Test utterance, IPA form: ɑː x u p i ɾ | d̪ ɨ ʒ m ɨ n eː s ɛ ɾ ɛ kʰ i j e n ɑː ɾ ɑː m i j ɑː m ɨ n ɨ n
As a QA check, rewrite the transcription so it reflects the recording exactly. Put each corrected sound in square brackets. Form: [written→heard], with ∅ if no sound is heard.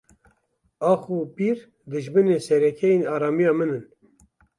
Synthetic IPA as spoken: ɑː x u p i ɾ | d̪ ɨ ʒ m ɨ n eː s ɛ ɾ ɛ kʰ [i→ɛ] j e n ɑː ɾ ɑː m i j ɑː m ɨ n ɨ n

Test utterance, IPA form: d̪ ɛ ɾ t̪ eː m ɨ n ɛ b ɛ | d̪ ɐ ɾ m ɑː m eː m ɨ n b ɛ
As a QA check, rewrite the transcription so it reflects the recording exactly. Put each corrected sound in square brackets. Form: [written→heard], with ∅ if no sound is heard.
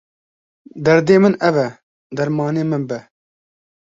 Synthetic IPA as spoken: d̪ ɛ ɾ [t̪→d̪] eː m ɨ n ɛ [b→v] ɛ | d̪ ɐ ɾ m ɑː [m→n] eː m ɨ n b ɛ

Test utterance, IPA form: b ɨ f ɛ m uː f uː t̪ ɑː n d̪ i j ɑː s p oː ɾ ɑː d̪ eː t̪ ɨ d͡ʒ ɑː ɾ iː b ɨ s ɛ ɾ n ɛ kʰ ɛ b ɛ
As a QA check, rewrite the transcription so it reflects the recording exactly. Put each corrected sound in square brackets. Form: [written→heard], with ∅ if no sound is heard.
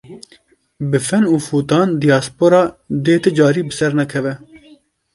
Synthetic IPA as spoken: b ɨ f ɛ [m→n] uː f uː t̪ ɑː n d̪ i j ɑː s p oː ɾ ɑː d̪ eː t̪ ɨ d͡ʒ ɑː ɾ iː b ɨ s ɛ ɾ n ɛ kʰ ɛ [b→v] ɛ

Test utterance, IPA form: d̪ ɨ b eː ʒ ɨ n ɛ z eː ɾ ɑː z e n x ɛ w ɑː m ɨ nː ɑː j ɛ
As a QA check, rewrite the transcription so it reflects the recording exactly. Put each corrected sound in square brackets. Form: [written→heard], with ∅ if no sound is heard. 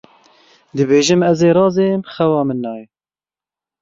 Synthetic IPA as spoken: d̪ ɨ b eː ʒ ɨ [n→m] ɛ z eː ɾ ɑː z e [n→m] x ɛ w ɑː m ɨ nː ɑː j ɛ

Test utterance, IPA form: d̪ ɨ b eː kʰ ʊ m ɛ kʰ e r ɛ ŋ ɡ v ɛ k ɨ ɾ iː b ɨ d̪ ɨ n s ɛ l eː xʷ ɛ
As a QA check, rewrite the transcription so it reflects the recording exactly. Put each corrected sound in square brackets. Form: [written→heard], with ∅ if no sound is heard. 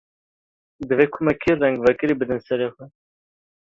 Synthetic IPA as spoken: d̪ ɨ [b→v] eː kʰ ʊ m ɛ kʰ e r ɛ ŋ ɡ v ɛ k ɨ ɾ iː b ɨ d̪ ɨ n s ɛ [l→ɾ] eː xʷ ɛ

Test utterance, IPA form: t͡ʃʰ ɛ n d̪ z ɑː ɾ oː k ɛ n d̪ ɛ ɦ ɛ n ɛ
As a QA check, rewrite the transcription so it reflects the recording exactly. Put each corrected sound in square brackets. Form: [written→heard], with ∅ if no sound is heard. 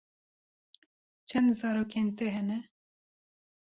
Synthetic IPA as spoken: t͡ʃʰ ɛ n d̪ z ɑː ɾ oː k [ɛ→e] n [d̪→t̪] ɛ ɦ ɛ n ɛ

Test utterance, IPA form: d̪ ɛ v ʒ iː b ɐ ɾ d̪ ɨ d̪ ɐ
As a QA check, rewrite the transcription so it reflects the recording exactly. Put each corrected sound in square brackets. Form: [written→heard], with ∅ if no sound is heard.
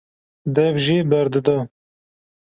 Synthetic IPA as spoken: d̪ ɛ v ʒ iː b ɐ ɾ d̪ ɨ d̪ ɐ

